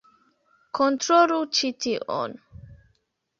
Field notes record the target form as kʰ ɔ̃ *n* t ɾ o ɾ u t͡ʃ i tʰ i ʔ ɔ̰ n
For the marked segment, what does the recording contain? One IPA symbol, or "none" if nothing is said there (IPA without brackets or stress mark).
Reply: n